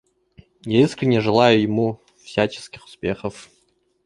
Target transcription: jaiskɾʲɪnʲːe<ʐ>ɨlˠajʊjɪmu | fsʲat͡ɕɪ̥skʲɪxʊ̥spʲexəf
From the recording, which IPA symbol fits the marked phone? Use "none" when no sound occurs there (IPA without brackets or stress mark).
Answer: ʐ